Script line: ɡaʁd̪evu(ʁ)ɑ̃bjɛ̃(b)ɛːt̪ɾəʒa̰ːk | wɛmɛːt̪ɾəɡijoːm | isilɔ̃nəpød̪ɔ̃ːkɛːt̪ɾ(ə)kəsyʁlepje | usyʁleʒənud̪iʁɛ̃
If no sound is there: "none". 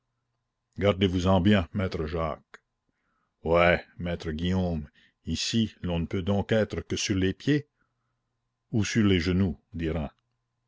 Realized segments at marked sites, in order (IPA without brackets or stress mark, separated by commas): z, m, ə